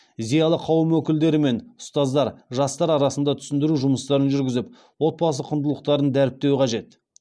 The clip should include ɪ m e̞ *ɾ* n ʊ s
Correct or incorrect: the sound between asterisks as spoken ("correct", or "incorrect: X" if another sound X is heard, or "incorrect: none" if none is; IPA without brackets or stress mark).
incorrect: none